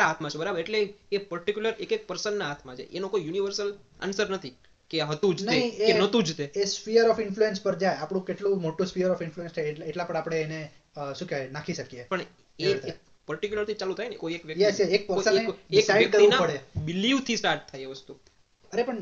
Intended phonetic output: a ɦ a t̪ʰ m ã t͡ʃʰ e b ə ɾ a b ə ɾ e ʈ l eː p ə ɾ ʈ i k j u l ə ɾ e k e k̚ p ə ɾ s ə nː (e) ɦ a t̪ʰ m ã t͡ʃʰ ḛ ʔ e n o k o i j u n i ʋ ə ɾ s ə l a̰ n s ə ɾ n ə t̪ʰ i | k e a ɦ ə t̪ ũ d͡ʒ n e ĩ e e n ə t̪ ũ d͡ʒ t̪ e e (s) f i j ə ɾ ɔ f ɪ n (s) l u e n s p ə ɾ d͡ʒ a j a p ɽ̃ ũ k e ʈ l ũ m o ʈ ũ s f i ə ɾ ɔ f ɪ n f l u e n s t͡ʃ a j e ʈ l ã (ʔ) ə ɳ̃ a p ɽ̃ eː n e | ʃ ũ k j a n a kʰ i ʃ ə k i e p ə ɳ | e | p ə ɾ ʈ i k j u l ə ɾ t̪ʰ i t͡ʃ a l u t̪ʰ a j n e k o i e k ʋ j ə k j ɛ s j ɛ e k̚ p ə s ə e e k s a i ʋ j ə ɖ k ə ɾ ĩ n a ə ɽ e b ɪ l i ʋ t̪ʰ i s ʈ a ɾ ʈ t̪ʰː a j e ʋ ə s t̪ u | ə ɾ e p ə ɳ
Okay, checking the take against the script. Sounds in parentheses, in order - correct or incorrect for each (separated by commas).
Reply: incorrect, correct, incorrect, incorrect